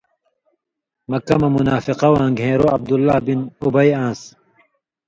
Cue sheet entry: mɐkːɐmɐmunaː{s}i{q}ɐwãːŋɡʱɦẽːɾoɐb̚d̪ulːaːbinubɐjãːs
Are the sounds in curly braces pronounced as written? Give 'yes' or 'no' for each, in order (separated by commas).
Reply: no, yes